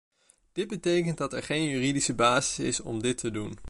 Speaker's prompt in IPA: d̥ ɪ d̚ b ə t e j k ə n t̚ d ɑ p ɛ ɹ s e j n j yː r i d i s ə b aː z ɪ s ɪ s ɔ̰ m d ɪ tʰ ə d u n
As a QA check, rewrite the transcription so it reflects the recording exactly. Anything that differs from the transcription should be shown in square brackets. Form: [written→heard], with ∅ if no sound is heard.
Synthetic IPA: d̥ ɪ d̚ b ə t e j k ə n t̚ d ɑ [p→t] ɛ ɹ [s→χ] e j n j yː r i d i s ə b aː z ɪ s ɪ s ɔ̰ m d ɪ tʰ ə d u n